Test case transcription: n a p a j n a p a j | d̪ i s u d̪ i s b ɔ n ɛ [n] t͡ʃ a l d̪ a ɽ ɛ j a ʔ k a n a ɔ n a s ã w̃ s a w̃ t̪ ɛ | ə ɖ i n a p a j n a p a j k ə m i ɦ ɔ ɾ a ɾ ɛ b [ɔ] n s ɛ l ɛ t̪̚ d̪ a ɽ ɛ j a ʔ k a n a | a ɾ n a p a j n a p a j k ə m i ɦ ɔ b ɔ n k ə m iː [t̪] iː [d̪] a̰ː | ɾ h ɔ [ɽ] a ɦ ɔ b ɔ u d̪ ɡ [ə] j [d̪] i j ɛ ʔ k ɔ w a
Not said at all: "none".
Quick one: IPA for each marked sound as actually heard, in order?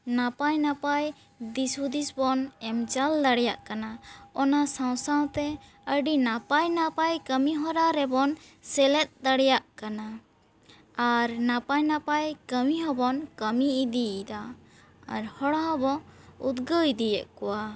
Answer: m, ɔ, d̪, d̪, ɽ, ə, d̪

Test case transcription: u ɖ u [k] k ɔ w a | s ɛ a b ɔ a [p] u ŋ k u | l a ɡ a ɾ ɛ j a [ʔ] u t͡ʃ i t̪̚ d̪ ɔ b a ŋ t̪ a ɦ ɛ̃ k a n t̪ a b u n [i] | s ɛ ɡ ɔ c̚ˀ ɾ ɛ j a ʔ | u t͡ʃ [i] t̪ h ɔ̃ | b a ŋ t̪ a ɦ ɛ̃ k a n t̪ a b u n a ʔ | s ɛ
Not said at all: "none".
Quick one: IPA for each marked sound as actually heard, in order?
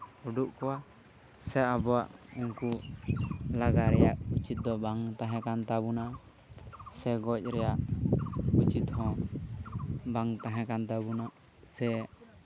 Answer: ʔ, ʔ, ʔ, a, i

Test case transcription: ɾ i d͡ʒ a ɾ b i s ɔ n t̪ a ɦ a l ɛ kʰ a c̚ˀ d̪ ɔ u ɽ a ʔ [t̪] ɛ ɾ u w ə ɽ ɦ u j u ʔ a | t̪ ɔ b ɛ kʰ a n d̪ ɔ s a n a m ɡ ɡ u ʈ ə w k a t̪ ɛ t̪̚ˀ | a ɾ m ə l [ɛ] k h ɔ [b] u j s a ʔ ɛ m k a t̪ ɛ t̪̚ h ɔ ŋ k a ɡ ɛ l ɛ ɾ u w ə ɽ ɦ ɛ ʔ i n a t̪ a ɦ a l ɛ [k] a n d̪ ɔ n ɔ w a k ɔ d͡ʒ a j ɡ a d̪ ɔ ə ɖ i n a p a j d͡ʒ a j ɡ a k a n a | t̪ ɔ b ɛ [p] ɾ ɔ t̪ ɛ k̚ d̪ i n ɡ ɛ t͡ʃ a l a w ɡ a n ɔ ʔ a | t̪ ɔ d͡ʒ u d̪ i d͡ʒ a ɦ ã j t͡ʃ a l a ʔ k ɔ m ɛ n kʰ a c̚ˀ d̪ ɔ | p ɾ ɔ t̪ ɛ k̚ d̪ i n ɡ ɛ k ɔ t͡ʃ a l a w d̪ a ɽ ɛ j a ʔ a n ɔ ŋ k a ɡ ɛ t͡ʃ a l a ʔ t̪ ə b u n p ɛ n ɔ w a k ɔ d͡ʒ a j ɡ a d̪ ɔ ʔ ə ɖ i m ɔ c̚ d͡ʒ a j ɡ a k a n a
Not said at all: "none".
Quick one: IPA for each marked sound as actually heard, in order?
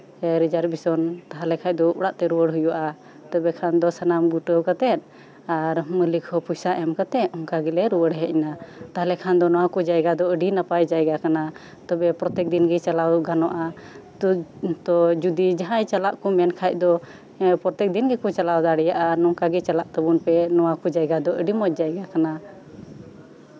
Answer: t̪, i, p, kʰ, p

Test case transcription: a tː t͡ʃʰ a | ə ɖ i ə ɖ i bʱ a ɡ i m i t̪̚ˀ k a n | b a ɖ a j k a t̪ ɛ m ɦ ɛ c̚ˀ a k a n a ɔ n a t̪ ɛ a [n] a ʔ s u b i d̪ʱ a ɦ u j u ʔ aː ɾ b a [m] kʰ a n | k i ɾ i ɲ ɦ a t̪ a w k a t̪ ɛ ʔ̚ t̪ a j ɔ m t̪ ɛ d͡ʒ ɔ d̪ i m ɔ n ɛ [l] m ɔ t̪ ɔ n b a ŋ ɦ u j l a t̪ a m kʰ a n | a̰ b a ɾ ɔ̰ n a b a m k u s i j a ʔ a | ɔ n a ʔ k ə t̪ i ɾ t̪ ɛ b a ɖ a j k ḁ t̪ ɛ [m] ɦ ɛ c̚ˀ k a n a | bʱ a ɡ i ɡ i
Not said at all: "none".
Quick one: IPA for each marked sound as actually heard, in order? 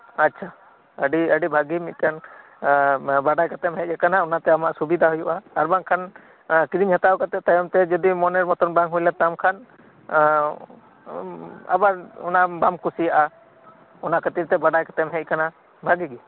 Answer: m, ŋ, ɾ, m

